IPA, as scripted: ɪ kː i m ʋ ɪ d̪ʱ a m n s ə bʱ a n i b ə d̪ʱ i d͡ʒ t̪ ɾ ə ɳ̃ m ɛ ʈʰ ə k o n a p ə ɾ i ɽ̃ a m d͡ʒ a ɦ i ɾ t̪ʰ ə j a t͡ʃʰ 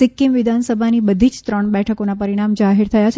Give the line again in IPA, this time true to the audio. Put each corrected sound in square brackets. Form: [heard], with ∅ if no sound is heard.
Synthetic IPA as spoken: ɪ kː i m ʋ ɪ d̪ʱ a [∅] n s ə bʱ a n i b ə d̪ʱ i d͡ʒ t̪ ɾ ə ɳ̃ [b] ɛ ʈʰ ə k o n a p ə ɾ i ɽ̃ a m d͡ʒ a ɦ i ɾ t̪ʰ ə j a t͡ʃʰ